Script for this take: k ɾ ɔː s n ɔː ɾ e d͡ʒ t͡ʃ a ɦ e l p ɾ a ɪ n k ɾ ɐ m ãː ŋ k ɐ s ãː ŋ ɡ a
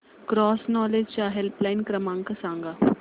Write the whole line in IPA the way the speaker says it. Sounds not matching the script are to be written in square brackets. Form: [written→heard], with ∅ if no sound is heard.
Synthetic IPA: k ɾ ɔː s n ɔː [ɾ→l] e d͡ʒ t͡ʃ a ɦ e l p [ɾ→l] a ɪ n k ɾ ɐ m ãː ŋ k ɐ s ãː ŋ ɡ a